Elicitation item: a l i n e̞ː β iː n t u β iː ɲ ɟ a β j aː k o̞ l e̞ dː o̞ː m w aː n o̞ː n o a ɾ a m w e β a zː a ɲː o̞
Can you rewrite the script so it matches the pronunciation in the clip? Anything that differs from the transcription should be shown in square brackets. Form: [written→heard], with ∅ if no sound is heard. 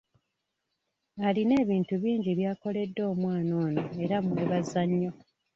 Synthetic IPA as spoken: a l i n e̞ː β iː n t u β iː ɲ ɟ [a→i] β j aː k o̞ l e̞ dː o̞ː m w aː n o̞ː n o [a→e] ɾ a m w e β a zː a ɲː o̞